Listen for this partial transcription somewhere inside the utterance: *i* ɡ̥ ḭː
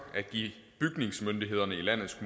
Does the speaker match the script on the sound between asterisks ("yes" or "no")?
no